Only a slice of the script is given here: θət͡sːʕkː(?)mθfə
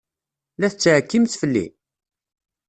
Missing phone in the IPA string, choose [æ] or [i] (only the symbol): i